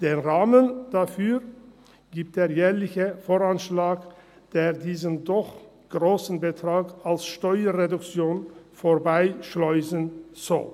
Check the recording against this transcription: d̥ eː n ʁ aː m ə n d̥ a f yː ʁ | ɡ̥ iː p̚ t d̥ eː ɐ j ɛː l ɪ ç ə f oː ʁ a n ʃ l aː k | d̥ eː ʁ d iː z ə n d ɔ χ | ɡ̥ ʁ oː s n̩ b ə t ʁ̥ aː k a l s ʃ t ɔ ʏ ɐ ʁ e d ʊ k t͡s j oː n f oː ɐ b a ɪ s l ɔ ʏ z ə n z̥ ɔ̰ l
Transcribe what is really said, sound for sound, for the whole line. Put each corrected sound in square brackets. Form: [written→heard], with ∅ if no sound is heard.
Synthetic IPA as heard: d̥ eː n ʁ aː m ə n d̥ a f yː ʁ | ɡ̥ iː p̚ t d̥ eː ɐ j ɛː l ɪ ç ə f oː ʁ a n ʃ l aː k | d̥ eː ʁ d iː z ə n d ɔ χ | ɡ̥ ʁ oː s n̩ b ə t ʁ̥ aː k a l s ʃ t ɔ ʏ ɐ ʁ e d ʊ k t͡s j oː n f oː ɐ b a ɪ [s→ʃ] l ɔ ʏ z ə n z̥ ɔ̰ l